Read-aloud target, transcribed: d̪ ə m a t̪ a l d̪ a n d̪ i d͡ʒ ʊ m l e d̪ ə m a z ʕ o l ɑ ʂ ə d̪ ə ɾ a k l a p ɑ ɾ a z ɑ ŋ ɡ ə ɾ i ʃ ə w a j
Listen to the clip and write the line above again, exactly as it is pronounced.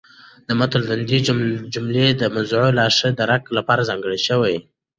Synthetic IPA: d̪ ə m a t̪ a l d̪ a n d̪ i d͡ʒ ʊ m l e d̪ ə m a z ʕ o l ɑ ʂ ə d̪ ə ɾ a k l a p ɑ ɾ a z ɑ ŋ ɡ ə ɽ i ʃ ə w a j